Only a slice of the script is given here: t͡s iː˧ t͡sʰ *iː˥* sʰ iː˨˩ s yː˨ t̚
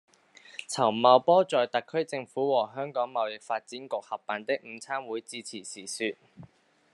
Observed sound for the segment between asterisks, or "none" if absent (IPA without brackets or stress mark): iː˨˩